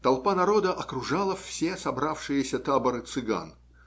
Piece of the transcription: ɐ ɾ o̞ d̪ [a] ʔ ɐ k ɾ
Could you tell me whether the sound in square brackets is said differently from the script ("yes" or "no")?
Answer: yes